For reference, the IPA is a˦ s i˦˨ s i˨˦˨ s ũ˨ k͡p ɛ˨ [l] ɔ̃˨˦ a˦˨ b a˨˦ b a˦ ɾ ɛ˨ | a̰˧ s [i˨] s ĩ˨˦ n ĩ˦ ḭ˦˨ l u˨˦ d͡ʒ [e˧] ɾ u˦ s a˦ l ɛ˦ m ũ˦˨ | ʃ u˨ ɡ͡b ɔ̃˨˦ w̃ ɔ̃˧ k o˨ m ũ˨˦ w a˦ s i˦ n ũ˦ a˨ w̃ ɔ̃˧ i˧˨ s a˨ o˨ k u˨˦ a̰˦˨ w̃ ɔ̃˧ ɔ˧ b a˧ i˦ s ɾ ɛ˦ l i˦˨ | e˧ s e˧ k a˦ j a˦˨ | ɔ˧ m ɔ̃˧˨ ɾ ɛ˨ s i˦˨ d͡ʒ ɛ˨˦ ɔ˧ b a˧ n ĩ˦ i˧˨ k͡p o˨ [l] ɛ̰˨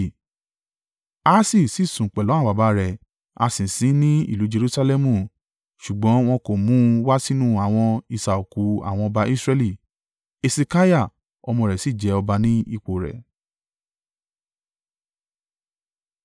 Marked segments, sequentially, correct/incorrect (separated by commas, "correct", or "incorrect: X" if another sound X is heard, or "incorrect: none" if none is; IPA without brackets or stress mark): correct, incorrect: ĩ˨, correct, incorrect: ɾ